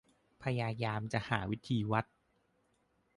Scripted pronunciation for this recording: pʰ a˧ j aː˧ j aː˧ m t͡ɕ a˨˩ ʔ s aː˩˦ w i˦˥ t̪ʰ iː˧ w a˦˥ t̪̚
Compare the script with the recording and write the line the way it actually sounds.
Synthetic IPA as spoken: pʰ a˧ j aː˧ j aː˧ m t͡ɕ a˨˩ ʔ h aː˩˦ w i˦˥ t̪ʰ iː˧ w a˦˥ t̪̚